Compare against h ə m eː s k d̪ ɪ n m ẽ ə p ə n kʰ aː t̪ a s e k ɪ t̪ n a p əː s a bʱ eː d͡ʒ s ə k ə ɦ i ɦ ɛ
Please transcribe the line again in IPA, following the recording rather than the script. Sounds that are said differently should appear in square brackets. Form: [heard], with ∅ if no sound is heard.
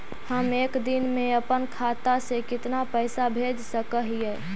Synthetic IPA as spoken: h ə m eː [∅] k d̪ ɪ n m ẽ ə p ə n kʰ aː t̪ a s e k ɪ t̪ n a p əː s a bʱ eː d͡ʒ s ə k ə ɦ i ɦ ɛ